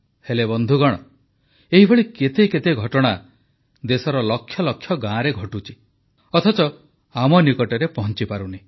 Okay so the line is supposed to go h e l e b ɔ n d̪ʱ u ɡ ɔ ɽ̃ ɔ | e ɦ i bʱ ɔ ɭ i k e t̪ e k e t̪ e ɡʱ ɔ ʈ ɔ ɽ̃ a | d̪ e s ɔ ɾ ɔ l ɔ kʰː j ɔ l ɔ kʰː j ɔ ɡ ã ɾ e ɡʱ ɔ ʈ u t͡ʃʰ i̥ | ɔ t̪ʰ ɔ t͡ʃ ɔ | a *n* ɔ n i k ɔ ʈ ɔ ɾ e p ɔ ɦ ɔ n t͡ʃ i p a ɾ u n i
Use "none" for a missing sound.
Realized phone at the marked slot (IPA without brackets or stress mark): m